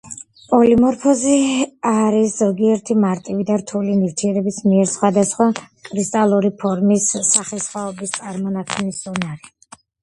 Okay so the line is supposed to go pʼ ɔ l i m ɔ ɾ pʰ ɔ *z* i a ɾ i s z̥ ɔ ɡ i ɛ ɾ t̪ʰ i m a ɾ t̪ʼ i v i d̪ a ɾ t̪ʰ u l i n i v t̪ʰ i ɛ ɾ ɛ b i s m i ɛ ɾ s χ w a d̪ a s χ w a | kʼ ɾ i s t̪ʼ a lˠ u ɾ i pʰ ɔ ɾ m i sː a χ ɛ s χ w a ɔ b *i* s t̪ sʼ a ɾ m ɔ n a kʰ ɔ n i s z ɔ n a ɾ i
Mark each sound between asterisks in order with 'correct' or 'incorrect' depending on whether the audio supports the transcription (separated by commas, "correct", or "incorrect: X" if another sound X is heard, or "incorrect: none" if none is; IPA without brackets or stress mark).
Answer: correct, correct